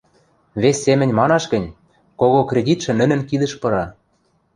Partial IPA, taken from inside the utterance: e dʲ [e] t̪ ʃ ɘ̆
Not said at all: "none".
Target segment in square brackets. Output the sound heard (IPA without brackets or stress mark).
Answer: i